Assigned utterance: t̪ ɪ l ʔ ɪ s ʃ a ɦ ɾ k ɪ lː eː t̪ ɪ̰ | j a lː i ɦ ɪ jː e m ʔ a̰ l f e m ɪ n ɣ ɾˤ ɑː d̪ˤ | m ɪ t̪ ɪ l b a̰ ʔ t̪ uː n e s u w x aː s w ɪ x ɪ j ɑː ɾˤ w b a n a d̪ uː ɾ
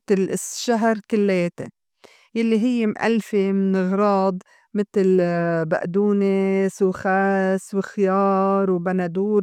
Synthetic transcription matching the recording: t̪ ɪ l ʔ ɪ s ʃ a ɦ ɾ k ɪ lː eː t̪ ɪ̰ | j a lː i ɦ ɪ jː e m ʔ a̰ l f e m ɪ n ɣ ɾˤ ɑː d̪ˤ | m ɪ t̪ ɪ l b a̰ ʔ d̪ uː n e s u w x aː s w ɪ x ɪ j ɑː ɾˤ w b a n a d̪ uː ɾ